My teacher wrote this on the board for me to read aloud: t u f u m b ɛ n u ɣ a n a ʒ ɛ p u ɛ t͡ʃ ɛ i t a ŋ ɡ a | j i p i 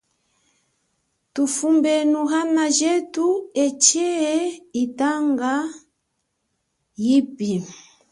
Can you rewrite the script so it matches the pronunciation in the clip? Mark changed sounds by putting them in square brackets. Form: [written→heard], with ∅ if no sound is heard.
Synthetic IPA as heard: t u f u m b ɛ n u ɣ a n a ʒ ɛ [p→t] u ɛ t͡ʃ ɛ i t a ŋ ɡ a | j i p i